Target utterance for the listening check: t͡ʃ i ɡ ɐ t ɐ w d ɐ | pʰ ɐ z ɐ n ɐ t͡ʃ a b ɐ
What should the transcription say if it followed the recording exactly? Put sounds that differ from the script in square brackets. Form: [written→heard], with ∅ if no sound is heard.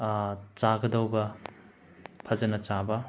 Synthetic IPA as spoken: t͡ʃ [i→a] ɡ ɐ [t→d] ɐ w [d→b] ɐ | pʰ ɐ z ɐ n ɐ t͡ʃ a b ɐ